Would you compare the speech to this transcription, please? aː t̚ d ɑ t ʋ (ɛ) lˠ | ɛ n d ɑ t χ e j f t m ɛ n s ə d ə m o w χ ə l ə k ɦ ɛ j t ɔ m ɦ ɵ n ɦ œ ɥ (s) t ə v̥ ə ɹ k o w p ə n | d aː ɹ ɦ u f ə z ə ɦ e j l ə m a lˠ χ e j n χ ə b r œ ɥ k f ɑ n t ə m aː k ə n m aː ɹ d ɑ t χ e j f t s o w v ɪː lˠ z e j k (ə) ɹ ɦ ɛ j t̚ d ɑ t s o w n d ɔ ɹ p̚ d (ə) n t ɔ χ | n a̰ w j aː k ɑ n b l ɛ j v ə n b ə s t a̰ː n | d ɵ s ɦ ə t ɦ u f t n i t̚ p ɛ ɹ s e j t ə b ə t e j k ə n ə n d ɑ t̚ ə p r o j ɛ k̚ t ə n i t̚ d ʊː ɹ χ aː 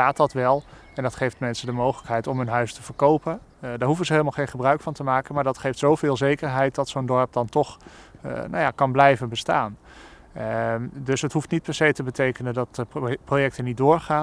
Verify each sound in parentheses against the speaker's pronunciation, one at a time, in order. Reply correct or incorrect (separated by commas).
correct, correct, correct, incorrect